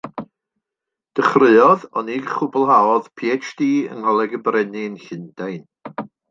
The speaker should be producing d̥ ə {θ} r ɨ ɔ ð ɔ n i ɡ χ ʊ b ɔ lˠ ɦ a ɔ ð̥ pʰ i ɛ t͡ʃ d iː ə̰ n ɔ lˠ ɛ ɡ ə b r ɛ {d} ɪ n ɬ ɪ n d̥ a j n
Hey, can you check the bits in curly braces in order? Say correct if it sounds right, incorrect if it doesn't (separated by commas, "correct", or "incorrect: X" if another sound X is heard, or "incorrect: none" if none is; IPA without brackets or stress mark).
incorrect: χ, incorrect: n